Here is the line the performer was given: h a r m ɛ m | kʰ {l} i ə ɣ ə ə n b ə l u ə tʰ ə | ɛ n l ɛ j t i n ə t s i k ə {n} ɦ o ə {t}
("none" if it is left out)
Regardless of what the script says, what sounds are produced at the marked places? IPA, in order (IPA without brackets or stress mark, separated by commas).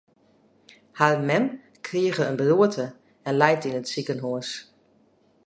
r, n, s